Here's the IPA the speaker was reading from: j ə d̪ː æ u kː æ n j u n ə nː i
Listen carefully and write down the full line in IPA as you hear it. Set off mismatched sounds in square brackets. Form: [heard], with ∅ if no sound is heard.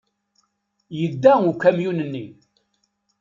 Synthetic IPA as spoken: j ə d̪ː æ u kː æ [m] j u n ə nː i